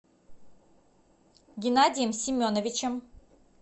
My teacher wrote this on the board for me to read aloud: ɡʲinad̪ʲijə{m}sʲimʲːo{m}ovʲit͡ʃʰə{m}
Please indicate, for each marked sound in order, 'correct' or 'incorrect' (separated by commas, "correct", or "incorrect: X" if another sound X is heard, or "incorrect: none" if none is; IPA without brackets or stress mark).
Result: correct, incorrect: n, correct